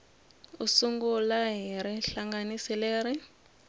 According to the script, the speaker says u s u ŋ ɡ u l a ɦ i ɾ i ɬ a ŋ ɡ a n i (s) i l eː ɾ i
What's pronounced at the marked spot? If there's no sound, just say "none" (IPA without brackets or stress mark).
s